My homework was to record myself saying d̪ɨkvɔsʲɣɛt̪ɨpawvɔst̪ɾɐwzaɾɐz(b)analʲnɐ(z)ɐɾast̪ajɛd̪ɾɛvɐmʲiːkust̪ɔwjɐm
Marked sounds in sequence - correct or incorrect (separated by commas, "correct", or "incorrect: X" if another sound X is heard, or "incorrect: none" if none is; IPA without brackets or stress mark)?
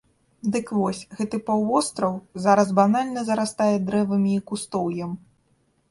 correct, correct